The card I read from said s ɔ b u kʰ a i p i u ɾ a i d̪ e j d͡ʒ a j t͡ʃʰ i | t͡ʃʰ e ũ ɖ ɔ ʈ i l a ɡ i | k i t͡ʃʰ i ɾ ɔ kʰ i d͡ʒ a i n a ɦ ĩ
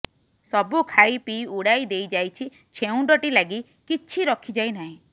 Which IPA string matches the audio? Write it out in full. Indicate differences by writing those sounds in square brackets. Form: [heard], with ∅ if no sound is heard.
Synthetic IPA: s ɔ b u kʰ a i p i u [ɽ] a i d̪ e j d͡ʒ a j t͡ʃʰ i | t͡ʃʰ e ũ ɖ ɔ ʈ i l a ɡ i | k i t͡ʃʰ i ɾ ɔ kʰ i d͡ʒ a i n a ɦ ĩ